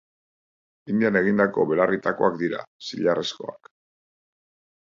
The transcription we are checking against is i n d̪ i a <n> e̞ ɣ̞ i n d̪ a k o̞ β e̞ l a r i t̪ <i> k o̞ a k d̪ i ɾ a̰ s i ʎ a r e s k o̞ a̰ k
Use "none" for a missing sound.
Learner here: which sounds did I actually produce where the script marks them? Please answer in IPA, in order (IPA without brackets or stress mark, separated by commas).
n, a